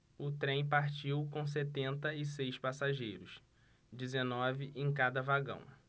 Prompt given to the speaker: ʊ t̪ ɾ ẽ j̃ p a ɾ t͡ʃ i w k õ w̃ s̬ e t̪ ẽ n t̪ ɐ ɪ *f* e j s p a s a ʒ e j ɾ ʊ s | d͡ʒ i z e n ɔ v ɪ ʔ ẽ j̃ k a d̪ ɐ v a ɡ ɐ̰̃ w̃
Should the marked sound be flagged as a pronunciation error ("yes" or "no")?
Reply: yes